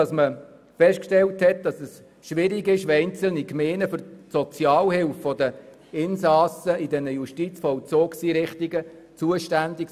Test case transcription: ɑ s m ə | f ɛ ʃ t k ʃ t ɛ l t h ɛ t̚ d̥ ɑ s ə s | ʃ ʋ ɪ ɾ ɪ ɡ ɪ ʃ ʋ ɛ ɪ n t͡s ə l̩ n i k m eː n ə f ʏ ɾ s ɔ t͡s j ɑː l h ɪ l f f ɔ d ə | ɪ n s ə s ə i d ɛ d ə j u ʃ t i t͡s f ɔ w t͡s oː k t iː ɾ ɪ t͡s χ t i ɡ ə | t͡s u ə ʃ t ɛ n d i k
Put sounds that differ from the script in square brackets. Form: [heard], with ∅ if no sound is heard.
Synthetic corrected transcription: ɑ s m ə | f ɛ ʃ t k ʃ t ɛ l t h ɛ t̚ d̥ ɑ s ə s | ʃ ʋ ɪ ɾ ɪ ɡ ɪ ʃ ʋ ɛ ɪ n t͡s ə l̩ n i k m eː n ə f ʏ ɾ s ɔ t͡s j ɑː l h ɪ l f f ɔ d ə | ɪ n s [ɑ] s ə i d ɛ [n] ə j u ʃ t i t͡s f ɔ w t͡s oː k [s] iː ɾ ɪ [∅] χ t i ɡ ə | t͡s u ə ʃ t [æ] n d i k

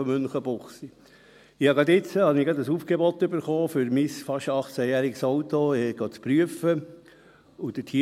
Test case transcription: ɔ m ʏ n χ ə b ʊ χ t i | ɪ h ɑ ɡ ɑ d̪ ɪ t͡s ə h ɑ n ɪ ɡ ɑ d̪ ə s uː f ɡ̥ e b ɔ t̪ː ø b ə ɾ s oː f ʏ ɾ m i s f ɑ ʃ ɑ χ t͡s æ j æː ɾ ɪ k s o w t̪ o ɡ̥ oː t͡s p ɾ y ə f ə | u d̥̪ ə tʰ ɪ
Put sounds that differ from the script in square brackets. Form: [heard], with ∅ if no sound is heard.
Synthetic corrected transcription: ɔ m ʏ n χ ə b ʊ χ [s] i | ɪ h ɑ ɡ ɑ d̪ ɪ t͡s ə h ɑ n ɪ ɡ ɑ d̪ ə s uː f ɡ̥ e b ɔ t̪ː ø b ə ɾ [χ] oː f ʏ ɾ m i s f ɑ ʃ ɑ χ t͡s æ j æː ɾ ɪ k s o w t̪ o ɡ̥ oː t͡s p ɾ y ə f ə | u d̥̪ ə tʰ [i]

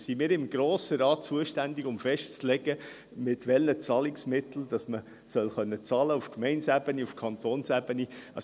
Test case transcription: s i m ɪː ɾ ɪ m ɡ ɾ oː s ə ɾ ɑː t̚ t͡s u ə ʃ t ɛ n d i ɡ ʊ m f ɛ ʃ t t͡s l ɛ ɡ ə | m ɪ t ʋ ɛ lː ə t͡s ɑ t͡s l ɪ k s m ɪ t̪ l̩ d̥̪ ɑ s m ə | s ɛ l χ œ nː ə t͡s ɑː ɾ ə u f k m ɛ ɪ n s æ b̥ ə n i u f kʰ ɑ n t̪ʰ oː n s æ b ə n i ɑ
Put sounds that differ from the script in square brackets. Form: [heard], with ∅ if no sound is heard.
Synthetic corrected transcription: s i m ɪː ɾ ɪ m ɡ ɾ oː s ə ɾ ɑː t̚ t͡s u ə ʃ t [æ] n d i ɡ ʊ m f ɛ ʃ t t͡s l ɛ ɡ ə | m ɪ t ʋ ɛ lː ə t͡s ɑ [∅] l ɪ k s m ɪ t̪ l̩ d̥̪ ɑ s m ə | s [œ] l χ œ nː ə t͡s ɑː [l] ə u f k m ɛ ɪ n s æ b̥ ə n i u f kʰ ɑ n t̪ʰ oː n s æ b ə n i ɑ

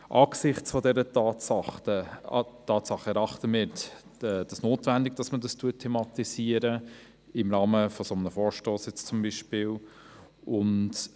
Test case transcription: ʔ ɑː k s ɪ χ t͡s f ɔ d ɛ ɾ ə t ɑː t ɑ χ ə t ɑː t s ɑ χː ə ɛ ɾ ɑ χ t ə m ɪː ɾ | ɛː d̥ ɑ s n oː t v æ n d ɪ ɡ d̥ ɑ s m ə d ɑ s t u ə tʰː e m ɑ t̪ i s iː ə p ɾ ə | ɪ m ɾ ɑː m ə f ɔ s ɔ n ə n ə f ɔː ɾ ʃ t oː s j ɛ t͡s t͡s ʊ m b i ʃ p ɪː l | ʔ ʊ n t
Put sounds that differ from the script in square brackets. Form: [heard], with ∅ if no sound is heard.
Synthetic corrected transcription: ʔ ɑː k s ɪ χ t͡s f ɔ d ɛ ɾ ə t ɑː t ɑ χ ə t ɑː t s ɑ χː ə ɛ ɾ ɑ χ t ə m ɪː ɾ | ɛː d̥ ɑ s n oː t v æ n d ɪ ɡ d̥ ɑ s m ə d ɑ s t u ə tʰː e m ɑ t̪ i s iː ə [∅] ɾ ə | ɪ m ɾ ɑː m ə f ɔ s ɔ [m] ə n ə f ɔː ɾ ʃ t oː s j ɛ t͡s t͡s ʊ m b i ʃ p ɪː l | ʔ ʊ n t

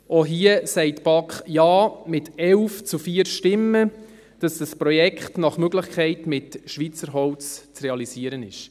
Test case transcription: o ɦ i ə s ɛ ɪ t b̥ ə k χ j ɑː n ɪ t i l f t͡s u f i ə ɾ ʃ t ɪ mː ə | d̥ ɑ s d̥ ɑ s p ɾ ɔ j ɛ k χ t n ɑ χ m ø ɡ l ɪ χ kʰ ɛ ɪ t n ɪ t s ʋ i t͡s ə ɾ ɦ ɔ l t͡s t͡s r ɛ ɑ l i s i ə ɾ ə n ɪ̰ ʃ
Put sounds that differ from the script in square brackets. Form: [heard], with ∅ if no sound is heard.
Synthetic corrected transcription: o ɦ i ə s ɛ ɪ t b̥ [ɑ] k χ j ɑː [m] ɪ t [ɛ] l f t͡s u f i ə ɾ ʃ t ɪ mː ə | d̥ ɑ s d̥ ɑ s p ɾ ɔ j ɛ k χ t n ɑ χ m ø ɡ l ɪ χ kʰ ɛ ɪ t [m] ɪ t [ʃ] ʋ i t͡s ə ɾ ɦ ɔ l t͡s t͡s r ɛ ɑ l i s i ə ɾ ə n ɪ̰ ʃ

